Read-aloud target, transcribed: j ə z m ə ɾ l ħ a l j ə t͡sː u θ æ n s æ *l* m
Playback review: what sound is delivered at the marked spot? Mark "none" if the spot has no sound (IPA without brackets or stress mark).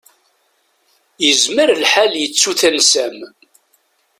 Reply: none